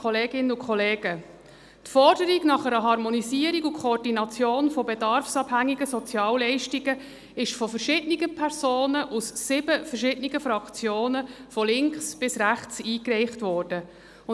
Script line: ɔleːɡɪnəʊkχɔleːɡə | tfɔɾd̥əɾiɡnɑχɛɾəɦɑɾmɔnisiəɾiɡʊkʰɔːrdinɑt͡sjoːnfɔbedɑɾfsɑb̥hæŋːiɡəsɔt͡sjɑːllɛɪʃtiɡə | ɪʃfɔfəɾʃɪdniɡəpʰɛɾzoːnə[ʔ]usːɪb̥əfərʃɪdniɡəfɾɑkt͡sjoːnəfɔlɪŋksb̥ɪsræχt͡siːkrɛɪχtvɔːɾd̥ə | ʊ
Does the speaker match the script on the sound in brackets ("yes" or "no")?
yes